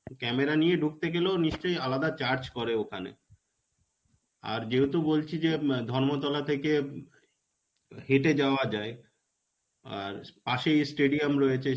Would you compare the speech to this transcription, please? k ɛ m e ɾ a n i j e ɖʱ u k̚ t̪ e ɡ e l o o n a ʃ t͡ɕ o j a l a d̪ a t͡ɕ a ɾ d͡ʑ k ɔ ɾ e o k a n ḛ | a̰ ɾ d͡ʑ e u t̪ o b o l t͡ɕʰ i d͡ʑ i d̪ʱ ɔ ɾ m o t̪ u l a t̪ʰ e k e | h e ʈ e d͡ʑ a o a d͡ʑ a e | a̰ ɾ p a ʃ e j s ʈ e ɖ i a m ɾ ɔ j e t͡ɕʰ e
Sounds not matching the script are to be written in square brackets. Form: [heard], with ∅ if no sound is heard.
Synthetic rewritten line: k ɛ m e ɾ a n i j e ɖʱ u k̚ t̪ e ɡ e l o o n [i] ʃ t͡ɕ o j a l a d̪ a t͡ɕ a ɾ d͡ʑ k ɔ ɾ e o [kʰ] a n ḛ | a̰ ɾ d͡ʑ e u t̪ o b o l t͡ɕʰ i d͡ʑ [e] d̪ʱ ɔ ɾ m o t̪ [ɔ] l a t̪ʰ e k e | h e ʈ e d͡ʑ a o a d͡ʑ a e | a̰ ɾ p a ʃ e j s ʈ e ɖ i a m ɾ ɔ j e t͡ɕʰ e